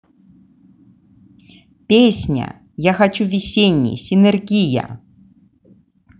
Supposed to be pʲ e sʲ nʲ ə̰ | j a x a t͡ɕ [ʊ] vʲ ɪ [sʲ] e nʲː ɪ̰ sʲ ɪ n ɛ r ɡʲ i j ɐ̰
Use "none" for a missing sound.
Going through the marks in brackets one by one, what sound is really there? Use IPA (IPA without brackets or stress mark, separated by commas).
u, sʲ